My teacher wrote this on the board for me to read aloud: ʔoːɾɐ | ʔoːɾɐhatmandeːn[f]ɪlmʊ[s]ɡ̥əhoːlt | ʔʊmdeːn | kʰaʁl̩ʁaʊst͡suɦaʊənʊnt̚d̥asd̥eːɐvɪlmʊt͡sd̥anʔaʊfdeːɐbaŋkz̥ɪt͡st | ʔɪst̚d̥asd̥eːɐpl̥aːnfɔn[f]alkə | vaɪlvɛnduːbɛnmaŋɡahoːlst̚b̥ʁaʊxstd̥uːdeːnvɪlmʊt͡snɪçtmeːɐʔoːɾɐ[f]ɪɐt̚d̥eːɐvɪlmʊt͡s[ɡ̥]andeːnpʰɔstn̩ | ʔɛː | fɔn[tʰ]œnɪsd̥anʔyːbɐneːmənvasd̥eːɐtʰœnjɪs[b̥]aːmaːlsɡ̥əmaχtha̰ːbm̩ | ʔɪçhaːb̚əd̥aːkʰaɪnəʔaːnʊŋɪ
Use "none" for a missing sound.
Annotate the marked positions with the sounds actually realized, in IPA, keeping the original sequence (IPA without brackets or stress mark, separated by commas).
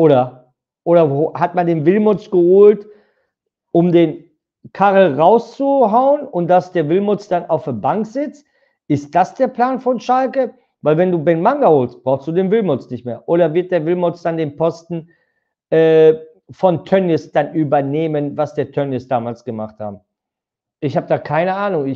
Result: v, t͡s, ʃ, v, d̥, tʰ, d̥